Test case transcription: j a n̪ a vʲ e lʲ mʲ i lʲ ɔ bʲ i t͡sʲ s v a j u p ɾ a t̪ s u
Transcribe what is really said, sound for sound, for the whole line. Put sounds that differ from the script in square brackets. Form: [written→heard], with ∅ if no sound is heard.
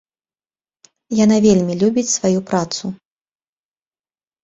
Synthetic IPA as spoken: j a n̪ a vʲ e lʲ mʲ i lʲ [ɔ→u] bʲ i t͡sʲ s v a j u p ɾ a t̪ s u